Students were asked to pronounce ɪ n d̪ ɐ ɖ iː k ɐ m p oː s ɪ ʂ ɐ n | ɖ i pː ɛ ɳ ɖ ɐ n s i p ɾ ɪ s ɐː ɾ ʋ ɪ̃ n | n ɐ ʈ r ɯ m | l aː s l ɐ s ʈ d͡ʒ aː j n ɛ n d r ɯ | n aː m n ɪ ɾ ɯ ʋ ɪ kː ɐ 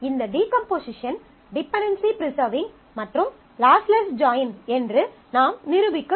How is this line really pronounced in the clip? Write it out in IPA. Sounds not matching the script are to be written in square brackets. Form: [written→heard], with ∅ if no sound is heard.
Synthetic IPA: ɪ n d̪ ɐ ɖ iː k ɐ m p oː s ɪ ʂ ɐ n | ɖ [i→ɪ] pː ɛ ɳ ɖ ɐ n s i p ɾ ɪ s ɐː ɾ ʋ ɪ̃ [n→ŋ] | [n→m] ɐ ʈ r ɯ m | l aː s l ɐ s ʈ d͡ʒ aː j n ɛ n d r ɯ | n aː m n ɪ ɾ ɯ ʋ ɪ kː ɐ